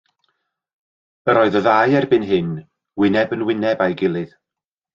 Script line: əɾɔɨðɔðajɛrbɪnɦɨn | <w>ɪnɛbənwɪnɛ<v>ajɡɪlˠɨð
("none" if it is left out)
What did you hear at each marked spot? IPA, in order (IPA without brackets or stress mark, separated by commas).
w, b